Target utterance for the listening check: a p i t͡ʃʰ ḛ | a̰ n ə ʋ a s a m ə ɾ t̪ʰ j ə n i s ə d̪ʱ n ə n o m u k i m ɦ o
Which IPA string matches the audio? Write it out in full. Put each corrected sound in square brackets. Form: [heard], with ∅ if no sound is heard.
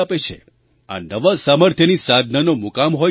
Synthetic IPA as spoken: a p [e] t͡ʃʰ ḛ | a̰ n ə ʋ a s a m ə ɾ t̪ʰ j ə n i s [a] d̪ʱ n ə n o m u k [a] m ɦ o